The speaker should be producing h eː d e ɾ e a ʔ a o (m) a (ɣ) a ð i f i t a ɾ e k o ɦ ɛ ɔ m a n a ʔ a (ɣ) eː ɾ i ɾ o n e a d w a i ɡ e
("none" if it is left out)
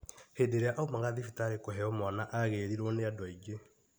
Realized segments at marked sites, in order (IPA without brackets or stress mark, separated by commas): m, ɣ, ɣ